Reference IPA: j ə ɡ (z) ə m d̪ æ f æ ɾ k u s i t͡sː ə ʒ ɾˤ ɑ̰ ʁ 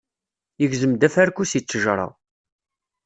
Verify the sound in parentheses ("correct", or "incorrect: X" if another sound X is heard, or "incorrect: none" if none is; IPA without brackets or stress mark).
correct